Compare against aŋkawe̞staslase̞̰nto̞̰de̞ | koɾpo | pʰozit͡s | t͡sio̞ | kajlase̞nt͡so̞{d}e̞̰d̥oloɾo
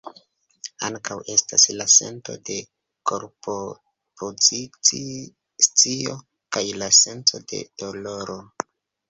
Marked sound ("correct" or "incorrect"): correct